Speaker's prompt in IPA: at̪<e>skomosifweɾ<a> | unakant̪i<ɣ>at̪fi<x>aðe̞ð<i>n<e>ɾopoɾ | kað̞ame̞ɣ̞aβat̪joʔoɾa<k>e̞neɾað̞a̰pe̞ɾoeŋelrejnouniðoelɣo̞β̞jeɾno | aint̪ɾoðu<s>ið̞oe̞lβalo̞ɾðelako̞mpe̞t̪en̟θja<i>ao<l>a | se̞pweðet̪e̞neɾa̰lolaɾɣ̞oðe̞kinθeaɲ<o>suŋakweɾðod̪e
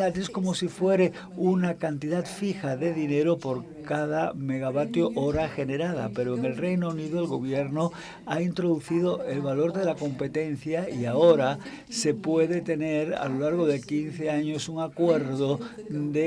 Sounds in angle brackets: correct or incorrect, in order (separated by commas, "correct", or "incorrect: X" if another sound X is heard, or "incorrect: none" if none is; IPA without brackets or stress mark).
correct, incorrect: e, incorrect: ð, correct, correct, correct, incorrect: x, incorrect: θ, correct, incorrect: ɾ, correct